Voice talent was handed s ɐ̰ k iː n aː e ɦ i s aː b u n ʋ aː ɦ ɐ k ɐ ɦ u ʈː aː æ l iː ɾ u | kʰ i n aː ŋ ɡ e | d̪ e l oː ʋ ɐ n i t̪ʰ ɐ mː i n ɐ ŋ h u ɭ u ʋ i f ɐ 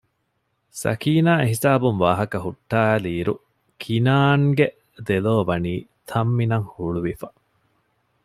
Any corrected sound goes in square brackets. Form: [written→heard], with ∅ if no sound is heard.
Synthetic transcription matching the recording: s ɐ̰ k iː n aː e ɦ i s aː b u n ʋ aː ɦ ɐ k ɐ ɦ u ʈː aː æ l iː ɾ u | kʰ i n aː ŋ ɡ e | d̪ e l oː ʋ ɐ n [i→iː] t̪ʰ ɐ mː i n ɐ ŋ h u ɭ u ʋ i f ɐ

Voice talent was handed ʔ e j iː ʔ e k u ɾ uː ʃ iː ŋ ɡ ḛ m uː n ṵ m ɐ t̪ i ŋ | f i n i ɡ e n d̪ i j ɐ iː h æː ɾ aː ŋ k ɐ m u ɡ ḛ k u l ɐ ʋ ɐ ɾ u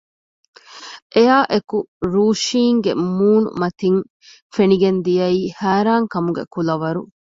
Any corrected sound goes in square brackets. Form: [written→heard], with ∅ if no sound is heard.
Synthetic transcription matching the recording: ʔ e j [iː→aː] ʔ e k u ɾ uː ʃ iː ŋ ɡ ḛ m uː n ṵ m ɐ t̪ i ŋ | f [i→e] n i ɡ e n d̪ i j ɐ iː h æː ɾ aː ŋ k ɐ m u ɡ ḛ k u l ɐ ʋ ɐ ɾ u

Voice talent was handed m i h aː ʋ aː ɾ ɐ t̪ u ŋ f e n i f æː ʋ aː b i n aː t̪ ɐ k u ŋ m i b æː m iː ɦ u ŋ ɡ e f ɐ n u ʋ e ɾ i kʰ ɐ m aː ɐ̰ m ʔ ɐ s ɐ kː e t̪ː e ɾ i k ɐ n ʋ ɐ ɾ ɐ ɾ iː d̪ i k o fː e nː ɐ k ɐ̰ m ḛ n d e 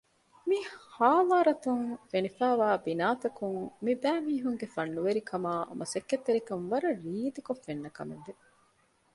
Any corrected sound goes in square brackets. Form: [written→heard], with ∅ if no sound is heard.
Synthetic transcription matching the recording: m i h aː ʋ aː ɾ ɐ t̪ u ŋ f e n i f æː ʋ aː b i n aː t̪ ɐ k u ŋ m i b æː m iː ɦ u ŋ ɡ e f ɐ [n→nː] u ʋ e ɾ i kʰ ɐ m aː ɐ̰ m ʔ ɐ s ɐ kː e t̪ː e ɾ i k ɐ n ʋ ɐ ɾ ɐ ɾ iː d̪ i k o fː e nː ɐ k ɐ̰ m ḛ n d e

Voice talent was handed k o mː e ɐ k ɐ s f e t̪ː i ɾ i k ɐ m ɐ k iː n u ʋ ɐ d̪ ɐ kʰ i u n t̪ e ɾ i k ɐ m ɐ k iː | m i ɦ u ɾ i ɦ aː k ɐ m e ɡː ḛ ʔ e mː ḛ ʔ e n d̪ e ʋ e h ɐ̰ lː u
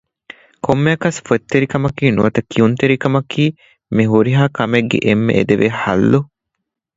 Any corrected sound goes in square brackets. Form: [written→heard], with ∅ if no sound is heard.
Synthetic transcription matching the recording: k o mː e ɐ k ɐ s f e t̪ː [i→e] ɾ i k ɐ m ɐ k iː n u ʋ ɐ [d̪→t̪] ɐ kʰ i u n t̪ e ɾ i k ɐ m ɐ k iː | m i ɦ u ɾ i ɦ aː k ɐ m e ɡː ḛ ʔ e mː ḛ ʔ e [n→∅] d̪ e ʋ e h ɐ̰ lː u

